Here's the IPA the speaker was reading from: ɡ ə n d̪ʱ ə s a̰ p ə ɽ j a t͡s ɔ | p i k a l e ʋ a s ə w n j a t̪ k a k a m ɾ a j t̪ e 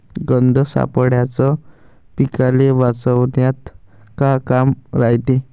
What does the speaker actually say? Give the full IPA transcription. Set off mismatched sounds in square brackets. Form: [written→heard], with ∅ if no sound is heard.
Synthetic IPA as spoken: ɡ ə n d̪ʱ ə s a̰ p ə ɽ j a t͡s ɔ | p i k a l e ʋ a [s→t͡s] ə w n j a t̪ k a k a m ɾ a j t̪ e